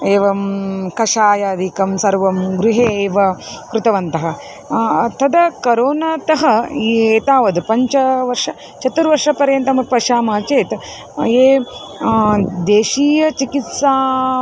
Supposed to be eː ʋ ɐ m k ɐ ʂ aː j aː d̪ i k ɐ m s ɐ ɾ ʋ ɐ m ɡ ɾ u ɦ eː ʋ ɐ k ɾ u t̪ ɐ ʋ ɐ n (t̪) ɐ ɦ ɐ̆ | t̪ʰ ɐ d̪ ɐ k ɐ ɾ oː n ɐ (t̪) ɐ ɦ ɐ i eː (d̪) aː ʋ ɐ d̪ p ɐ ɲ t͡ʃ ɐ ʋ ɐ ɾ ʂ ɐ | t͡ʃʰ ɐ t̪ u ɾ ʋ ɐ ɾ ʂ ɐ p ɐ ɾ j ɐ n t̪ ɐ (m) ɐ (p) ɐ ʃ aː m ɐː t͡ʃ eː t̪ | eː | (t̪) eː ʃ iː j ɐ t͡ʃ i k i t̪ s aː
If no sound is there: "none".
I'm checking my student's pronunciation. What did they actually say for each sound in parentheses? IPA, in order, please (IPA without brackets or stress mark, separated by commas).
t̪, t̪, t̪, m, p, d̪